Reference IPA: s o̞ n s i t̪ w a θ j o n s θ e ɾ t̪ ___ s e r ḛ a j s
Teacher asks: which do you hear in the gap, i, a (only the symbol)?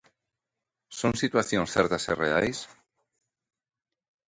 a